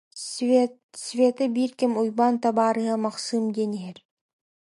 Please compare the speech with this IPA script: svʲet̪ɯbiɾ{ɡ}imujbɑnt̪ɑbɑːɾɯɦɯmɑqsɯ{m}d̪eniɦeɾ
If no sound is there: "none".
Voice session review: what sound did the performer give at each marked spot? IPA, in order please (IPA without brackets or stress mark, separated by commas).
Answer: k, m